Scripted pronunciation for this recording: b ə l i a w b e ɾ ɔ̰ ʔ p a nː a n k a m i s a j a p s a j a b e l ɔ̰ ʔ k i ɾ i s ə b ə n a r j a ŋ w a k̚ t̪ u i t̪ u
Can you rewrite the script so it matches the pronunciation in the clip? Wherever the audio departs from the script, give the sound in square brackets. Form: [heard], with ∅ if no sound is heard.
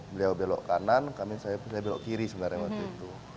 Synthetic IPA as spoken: b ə l i a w b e [l] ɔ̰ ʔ [k] a [n] a n k a m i s a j a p s a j a b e l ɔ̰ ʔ k i ɾ i s ə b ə n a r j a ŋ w a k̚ t̪ u i t̪ u

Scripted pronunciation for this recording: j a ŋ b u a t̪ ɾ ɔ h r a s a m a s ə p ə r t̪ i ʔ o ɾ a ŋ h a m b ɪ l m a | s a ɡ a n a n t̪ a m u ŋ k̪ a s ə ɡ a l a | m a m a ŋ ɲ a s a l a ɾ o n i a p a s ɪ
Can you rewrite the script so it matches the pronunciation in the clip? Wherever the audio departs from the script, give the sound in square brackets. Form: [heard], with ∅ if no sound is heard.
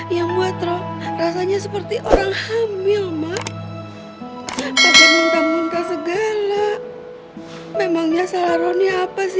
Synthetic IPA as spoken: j a ŋ b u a t̪ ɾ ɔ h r a s a [ɲ] a s ə p ə r t̪ i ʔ o ɾ a ŋ h a m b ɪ l m a | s a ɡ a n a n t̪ a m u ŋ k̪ a s ə ɡ a l a | m [e] m a ŋ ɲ a s a l a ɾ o n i a p a s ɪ

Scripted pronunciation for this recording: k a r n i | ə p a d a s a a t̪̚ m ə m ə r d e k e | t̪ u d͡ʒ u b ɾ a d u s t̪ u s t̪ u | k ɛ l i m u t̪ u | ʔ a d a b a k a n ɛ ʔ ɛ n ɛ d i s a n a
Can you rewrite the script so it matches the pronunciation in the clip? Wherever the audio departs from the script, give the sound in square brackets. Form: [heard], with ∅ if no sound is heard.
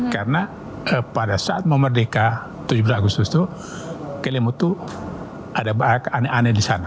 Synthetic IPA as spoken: k a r n [a] | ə p a d a s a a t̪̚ m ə m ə r d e k [a] | t̪ u d͡ʒ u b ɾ a [ɡ] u s t̪ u s t̪ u | k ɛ l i m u t̪ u | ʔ a d a b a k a n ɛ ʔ [a] n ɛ d i s a n a

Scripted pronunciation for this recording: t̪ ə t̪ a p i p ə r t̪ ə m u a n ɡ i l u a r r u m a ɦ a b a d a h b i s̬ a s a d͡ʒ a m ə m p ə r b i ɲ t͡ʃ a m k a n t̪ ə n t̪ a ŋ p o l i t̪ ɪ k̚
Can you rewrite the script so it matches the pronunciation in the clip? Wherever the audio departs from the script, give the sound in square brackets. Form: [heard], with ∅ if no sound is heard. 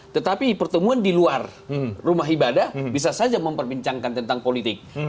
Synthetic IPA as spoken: t̪ ə t̪ a p i p ə r t̪ ə m u a n [d] i l u a r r u m a ɦ [i] b a d a h b i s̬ a s a d͡ʒ a m ə m p ə r b i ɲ t͡ʃ a [ŋ] k a n t̪ ə n t̪ a ŋ p o l i t̪ ɪ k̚

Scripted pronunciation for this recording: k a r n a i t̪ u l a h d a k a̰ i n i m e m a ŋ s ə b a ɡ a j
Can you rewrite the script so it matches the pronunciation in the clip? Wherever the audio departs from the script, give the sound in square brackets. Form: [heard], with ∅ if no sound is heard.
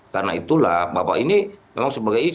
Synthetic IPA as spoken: k a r n a i t̪ u l a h [b] a [p] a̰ i n i m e m a ŋ s ə b a ɡ a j

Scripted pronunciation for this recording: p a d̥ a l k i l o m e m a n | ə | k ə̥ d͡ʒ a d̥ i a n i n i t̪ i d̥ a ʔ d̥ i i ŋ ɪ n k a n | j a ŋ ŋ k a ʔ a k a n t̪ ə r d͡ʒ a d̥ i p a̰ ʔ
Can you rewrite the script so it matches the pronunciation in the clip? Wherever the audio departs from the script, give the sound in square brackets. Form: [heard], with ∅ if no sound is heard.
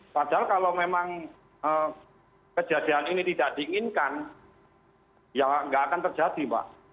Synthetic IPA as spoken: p a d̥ a l k [a] l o m e m a [ŋ] | ə | k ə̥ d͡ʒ a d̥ i a n i n i t̪ i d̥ a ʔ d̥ i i ŋ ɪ n k a n | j a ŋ ŋ [ɡ] a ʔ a k a n t̪ ə r d͡ʒ a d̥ i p a̰ ʔ

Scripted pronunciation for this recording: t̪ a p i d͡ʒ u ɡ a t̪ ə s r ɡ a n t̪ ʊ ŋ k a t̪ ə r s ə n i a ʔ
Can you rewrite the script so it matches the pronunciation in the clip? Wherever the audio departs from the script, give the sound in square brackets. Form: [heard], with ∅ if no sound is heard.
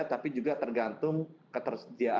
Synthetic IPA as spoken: t̪ a p i d͡ʒ u ɡ a t̪ ə [∅] r ɡ a n t̪ ʊ ŋ k [ə] t̪ ə r s ə [d] i a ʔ

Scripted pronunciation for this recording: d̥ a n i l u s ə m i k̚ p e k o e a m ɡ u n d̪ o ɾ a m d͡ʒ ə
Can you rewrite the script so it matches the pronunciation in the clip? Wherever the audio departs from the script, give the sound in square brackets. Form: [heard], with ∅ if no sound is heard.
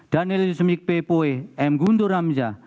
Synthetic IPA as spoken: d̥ a n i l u s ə m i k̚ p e [p] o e [ɛ] m ɡ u n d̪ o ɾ a m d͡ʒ [a]

